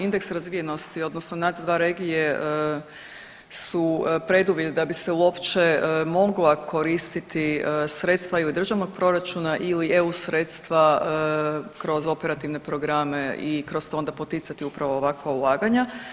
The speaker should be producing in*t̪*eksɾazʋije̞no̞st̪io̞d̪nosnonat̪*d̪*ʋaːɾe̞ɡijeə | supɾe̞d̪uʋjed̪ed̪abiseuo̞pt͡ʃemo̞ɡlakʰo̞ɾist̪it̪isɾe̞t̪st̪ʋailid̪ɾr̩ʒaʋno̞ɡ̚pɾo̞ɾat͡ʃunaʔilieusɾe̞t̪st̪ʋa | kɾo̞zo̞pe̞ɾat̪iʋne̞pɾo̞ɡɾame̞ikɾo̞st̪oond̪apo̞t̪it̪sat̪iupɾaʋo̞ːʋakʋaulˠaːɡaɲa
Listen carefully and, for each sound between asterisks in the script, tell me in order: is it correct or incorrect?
incorrect: d̪, correct

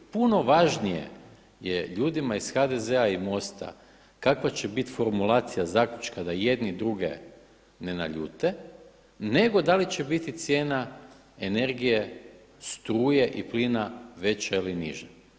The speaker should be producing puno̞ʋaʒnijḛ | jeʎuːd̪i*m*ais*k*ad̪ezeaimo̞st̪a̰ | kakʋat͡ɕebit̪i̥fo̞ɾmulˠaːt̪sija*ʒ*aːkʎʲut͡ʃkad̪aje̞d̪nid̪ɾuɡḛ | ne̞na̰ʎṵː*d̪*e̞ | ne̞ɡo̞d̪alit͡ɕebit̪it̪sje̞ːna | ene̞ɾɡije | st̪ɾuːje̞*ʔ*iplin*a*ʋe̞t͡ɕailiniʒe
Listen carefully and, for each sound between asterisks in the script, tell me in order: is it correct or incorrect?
correct, incorrect: x, incorrect: z, incorrect: t̪, correct, correct

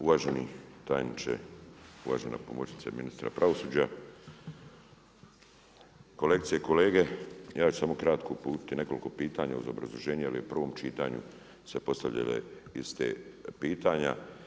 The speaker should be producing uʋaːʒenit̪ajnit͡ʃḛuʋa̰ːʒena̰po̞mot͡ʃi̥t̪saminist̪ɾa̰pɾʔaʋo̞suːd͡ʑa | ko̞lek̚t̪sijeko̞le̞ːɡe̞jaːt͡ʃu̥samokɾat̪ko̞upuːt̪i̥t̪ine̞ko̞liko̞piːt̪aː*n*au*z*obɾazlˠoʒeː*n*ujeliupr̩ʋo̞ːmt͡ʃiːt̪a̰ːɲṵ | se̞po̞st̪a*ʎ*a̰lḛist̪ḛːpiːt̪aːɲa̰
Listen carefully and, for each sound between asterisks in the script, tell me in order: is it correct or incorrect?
incorrect: ɲ, correct, incorrect: ɲ, correct

